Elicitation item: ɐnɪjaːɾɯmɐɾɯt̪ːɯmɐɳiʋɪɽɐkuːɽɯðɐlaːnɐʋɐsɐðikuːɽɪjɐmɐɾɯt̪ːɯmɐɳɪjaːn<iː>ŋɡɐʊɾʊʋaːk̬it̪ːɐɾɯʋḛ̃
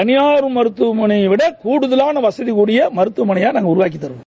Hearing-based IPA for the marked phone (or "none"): aː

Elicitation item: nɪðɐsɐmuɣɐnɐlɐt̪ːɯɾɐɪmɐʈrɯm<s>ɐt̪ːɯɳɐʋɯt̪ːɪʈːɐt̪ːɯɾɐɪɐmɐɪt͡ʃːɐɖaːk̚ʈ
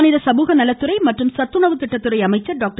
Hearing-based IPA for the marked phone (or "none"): s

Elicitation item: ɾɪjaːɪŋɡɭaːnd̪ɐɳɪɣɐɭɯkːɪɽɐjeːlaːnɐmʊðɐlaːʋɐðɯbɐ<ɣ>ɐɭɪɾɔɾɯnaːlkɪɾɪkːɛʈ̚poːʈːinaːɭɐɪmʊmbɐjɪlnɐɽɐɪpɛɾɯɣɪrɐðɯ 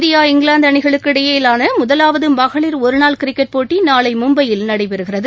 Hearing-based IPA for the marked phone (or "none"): ɣ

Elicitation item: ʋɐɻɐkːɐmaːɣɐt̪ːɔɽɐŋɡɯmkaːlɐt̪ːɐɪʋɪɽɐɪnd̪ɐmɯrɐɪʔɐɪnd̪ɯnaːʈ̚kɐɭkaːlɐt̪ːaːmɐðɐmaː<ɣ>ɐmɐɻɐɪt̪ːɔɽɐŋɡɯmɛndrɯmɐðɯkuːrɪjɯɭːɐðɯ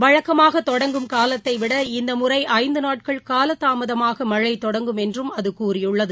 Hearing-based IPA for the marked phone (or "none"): ɣ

